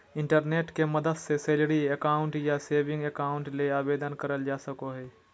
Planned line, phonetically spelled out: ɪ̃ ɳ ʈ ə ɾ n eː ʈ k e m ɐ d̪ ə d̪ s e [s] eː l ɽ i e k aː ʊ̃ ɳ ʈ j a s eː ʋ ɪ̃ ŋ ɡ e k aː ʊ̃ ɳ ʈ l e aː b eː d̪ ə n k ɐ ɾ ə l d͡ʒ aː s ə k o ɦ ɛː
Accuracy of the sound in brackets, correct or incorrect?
correct